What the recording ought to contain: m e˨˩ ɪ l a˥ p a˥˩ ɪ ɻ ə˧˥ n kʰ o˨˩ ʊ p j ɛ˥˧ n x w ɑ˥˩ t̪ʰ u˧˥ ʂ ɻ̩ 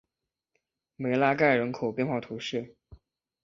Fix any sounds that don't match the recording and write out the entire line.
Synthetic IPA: m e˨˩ ɪ l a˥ k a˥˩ ɪ ɻ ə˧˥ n kʰ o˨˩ ʊ p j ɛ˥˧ n x w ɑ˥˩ t̪ʰ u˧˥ ʂ ɻ̩